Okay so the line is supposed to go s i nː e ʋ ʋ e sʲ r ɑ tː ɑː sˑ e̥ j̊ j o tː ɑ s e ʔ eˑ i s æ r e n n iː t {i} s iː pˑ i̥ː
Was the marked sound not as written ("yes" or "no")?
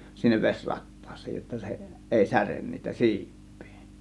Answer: yes